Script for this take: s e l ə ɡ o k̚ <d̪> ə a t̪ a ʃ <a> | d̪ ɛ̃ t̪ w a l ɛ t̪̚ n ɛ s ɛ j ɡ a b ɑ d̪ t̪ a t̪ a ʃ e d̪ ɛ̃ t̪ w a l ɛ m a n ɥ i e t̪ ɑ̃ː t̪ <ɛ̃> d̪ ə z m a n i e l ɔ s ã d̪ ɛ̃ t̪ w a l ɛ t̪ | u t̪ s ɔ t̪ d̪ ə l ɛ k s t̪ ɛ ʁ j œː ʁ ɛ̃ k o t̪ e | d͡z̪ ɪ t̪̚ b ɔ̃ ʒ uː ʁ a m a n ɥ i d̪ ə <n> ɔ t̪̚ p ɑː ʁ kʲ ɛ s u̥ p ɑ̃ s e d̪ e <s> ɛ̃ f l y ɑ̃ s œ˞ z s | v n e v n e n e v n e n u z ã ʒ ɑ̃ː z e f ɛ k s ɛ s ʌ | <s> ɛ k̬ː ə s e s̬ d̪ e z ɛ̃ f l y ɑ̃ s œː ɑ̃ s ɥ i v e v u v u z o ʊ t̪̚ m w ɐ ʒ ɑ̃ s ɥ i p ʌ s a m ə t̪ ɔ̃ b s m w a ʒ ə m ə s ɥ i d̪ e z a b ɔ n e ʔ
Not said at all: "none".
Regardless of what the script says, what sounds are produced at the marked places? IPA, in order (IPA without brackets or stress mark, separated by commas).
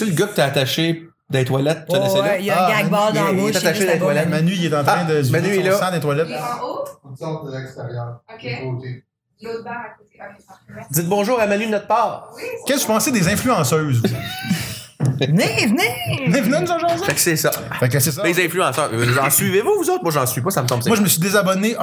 t̪, e, ɛ̃, n, z, f